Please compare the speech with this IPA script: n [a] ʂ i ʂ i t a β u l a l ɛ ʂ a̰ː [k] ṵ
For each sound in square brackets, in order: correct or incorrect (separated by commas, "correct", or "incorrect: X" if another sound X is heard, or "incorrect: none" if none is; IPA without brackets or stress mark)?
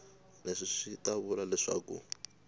incorrect: e, correct